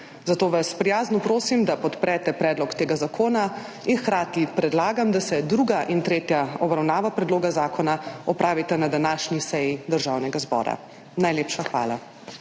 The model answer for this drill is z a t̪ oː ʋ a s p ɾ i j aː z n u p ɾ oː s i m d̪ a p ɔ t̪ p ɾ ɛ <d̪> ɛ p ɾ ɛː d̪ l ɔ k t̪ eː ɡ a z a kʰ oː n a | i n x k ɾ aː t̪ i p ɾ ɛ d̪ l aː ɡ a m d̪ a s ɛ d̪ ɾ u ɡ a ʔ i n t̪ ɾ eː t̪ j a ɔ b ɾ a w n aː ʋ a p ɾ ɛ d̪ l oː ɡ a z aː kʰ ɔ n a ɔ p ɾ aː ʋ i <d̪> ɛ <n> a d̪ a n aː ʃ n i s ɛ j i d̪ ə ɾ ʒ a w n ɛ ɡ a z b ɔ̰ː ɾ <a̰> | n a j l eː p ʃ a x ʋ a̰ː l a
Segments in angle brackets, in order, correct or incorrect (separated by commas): incorrect, incorrect, correct, correct